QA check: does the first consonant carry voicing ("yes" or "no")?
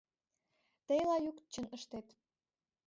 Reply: no